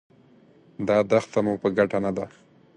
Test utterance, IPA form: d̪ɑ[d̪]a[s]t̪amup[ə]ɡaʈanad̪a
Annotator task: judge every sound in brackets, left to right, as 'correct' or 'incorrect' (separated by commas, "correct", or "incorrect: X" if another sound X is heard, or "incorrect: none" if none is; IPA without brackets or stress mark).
correct, incorrect: x, correct